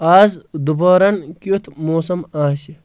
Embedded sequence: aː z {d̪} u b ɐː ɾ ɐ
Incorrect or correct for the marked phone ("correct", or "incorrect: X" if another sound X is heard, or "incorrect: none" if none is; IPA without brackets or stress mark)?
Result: correct